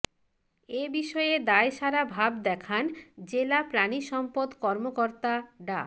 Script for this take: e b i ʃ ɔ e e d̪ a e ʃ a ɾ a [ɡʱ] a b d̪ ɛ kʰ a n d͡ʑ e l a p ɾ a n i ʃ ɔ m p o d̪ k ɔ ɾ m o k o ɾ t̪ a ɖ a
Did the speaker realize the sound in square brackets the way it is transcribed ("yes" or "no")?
no